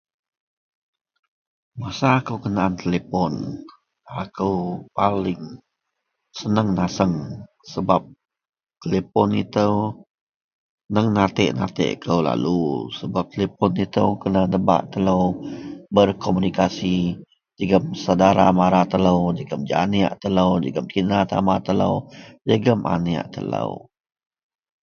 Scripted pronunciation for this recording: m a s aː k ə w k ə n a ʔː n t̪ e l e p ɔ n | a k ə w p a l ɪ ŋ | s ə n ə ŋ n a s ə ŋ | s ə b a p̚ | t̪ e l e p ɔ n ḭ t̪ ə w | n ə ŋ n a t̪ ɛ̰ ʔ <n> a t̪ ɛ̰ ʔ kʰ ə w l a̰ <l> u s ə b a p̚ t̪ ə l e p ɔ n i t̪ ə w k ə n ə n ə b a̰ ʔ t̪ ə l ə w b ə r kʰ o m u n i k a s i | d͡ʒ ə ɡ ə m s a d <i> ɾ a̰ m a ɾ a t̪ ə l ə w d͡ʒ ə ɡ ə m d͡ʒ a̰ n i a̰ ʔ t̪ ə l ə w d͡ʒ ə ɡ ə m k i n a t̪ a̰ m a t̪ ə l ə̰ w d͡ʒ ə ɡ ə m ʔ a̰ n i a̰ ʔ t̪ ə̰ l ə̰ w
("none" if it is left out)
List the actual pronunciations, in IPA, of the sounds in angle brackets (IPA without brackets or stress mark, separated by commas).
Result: n, l, a